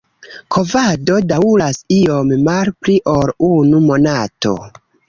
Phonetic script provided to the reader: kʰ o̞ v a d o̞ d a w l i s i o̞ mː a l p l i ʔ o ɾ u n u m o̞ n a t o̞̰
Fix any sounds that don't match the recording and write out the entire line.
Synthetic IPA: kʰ o̞ v a d o̞ d a u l a s i o̞ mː a l p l i ʔ o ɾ u n u m o̞ n a t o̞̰